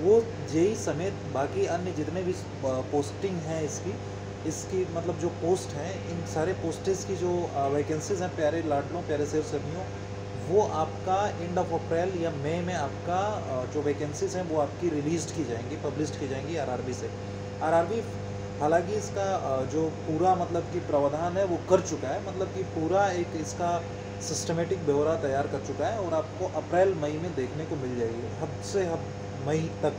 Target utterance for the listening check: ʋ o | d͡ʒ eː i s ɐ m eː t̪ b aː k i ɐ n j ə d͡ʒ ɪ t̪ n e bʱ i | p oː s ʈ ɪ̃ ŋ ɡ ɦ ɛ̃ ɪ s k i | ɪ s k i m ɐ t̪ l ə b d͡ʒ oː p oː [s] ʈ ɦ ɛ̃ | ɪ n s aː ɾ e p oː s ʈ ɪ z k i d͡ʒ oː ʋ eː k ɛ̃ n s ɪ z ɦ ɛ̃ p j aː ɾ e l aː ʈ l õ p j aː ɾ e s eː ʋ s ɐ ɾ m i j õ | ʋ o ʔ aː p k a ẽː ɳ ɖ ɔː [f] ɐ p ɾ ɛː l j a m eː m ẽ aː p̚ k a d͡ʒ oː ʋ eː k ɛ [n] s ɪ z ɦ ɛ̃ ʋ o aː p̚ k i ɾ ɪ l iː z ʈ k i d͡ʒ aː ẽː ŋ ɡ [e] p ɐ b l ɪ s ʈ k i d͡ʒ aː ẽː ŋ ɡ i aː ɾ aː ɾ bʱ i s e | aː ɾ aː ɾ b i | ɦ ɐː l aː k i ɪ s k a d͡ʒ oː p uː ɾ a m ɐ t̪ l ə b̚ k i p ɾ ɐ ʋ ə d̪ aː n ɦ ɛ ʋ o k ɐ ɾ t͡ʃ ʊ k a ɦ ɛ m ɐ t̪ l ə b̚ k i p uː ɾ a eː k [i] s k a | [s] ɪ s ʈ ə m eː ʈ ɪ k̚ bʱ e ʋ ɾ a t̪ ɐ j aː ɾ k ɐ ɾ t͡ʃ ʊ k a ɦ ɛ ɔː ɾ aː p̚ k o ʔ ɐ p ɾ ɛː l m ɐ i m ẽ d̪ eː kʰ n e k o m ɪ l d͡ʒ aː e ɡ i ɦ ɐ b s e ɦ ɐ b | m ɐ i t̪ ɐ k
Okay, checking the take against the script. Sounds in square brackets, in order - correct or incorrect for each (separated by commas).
correct, correct, correct, incorrect, incorrect, correct